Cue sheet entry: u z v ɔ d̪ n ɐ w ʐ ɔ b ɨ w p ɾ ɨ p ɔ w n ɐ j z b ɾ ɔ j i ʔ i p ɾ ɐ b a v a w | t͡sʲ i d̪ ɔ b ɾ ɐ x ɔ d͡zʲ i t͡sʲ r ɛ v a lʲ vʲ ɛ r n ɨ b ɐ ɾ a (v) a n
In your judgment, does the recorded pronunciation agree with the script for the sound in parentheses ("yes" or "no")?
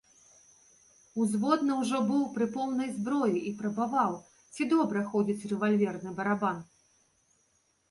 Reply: no